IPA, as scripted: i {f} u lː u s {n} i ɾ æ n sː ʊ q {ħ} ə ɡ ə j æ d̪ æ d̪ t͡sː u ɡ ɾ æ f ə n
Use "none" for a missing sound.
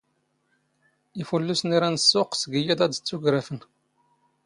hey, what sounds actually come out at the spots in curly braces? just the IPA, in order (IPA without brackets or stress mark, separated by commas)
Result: f, n, s